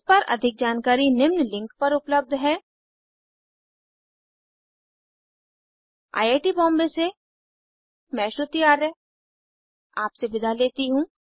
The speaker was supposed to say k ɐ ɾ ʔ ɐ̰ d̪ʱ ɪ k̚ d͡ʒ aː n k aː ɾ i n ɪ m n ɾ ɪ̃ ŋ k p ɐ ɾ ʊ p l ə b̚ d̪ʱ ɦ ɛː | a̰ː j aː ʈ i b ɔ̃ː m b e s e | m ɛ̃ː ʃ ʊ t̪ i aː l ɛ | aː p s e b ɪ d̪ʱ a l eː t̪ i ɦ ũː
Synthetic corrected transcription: p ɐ ɾ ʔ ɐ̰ d̪ʱ ɪ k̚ d͡ʒ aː n k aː ɾ i n ɪ m n l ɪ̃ ŋ k p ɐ ɾ ʊ p l ə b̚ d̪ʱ ɦ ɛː | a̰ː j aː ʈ i b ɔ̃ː m b e s e | m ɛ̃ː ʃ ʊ t̪ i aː ɾ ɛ | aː p s e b ɪ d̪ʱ a l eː t̪ i ɦ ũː

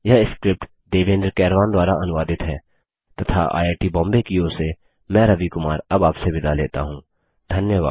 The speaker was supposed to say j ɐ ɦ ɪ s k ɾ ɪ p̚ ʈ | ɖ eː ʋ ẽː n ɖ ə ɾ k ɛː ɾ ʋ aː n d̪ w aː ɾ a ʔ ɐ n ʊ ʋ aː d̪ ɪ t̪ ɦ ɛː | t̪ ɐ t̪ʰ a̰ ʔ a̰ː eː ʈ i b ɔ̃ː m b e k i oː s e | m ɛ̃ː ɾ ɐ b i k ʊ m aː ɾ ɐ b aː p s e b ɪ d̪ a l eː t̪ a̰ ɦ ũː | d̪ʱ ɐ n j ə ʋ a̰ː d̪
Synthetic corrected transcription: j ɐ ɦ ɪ s k ɾ ɪ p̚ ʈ | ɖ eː ʋ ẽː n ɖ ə ɾ k ɛː ɾ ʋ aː n d̪ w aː ɾ a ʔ ɐ n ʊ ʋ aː d̪ ɪ t̪ ɦ ɛː | t̪ ɐ t̪ʰ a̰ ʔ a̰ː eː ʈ i b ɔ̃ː m b e k i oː s e | m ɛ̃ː ɾ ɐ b i k ʊ m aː ɾ ɐ b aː p s e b ɪ d̪ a l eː t̪ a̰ ɦ ũː | d̪ʱ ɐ n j ə ʋ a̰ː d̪

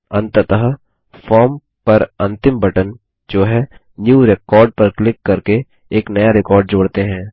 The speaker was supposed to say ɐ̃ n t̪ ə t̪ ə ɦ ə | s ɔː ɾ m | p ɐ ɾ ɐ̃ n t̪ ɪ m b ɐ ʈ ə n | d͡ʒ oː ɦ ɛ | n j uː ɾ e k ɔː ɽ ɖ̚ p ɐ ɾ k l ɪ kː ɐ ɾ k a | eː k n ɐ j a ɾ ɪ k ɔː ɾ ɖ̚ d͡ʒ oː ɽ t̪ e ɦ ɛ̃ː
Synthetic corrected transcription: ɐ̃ n t̪ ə t̪ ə ɦ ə | f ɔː ɾ m | p ɐ ɾ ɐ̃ n t̪ ɪ m b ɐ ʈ ə n | d͡ʒ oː ɦ ɛ | n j uː ɾ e k ɔː ɾ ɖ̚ p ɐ ɾ k l ɪ kː ɐ ɾ k e | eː k n ɐ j a ɾ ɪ k ɔː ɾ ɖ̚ d͡ʒ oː ɽ t̪ e ɦ ɛ̃ː

